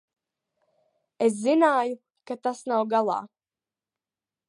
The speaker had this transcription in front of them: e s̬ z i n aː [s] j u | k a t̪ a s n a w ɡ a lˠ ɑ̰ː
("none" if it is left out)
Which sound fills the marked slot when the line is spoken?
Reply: none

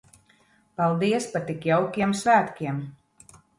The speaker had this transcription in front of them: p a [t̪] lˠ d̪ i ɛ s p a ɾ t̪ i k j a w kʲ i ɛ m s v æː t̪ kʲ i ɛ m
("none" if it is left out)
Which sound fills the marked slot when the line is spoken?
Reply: none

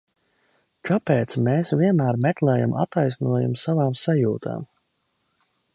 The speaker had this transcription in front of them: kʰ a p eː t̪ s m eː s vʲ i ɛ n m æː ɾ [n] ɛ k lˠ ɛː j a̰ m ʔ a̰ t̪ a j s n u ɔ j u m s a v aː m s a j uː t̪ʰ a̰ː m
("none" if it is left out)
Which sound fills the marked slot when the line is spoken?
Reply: m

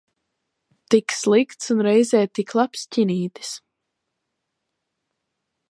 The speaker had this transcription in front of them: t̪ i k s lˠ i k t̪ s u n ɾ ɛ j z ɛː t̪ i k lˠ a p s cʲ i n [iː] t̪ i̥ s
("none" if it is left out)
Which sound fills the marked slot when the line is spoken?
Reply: iː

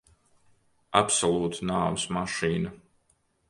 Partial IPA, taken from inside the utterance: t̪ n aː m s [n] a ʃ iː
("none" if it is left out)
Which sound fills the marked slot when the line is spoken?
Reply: m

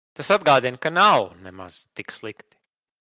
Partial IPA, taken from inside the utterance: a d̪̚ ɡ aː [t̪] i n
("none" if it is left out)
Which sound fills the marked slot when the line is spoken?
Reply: d̪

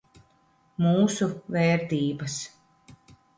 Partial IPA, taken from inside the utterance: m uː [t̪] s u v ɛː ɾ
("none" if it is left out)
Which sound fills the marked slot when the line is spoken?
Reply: none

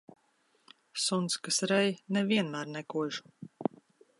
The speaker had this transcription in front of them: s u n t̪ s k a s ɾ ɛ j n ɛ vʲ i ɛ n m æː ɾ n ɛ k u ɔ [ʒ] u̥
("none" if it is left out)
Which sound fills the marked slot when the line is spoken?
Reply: ʒ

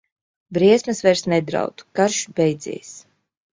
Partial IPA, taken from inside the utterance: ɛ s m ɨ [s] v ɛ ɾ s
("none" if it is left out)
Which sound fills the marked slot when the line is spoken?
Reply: s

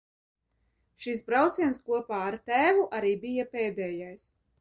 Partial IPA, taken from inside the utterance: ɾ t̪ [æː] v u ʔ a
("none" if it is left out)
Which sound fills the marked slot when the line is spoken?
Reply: æː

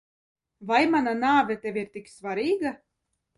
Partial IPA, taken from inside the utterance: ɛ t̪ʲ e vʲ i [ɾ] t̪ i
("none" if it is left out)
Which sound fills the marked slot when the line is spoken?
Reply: ɾ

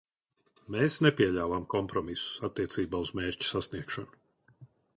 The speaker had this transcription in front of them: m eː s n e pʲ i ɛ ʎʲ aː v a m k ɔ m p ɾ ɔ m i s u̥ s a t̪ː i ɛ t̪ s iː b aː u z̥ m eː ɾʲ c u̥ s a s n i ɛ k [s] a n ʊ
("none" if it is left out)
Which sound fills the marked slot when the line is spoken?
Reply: ʃ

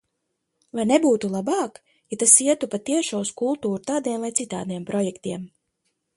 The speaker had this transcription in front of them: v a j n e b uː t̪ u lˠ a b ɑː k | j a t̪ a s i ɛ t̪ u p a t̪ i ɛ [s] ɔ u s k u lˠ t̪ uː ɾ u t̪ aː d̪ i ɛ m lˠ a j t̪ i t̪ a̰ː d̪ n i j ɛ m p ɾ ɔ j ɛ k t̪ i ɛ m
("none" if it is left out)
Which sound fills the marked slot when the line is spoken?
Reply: ʃ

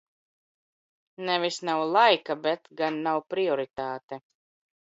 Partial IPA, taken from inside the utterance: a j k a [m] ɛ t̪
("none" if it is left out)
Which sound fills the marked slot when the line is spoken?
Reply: b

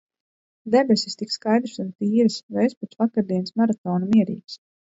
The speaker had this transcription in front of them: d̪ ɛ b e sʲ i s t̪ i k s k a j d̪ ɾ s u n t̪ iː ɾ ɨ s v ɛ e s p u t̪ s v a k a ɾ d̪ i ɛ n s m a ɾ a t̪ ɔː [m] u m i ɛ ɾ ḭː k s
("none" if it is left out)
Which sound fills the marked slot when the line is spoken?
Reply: n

